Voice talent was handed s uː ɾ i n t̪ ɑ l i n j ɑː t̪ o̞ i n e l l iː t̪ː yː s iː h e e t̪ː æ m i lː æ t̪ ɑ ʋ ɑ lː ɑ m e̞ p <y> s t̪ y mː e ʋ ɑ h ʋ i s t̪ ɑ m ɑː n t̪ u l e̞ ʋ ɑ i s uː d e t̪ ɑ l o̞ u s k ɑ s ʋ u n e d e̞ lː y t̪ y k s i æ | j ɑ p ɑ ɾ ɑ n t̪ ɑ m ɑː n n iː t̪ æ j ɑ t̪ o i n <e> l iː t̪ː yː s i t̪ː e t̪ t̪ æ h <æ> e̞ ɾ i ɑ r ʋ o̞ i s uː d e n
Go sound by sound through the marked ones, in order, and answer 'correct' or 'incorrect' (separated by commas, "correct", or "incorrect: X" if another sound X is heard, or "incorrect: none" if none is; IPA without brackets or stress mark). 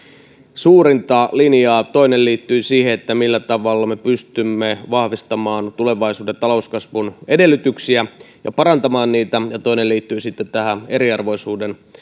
correct, correct, correct